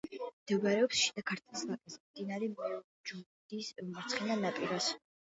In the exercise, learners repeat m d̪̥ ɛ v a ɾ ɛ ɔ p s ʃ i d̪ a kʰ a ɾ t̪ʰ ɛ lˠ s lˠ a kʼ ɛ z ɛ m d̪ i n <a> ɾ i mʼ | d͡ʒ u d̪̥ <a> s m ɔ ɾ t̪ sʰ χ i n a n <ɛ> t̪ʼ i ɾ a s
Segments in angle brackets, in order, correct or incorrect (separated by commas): correct, incorrect, incorrect